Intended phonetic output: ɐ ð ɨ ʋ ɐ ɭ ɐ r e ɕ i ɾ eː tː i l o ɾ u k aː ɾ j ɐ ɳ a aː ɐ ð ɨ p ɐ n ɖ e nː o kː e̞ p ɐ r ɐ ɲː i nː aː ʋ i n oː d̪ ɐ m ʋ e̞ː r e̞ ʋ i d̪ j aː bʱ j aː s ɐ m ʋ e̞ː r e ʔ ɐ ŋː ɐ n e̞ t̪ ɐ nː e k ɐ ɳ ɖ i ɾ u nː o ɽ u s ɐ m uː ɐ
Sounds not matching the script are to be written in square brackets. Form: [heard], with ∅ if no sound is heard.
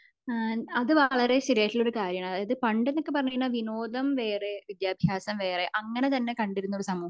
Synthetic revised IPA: ɐ ð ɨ ʋ ɐ ɭ ɐ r e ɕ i ɾ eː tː i l o ɾ u k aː ɾ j ɐ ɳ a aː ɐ ð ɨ p ɐ [ɳ] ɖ e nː o kː e̞ p ɐ r ɐ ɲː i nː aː ʋ i n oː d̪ ɐ m ʋ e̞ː r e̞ ʋ i d̪ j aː bʱ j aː s ɐ m ʋ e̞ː r e ʔ ɐ ŋː ɐ n e̞ t̪ ɐ nː e k ɐ ɳ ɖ i ɾ u nː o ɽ u s ɐ m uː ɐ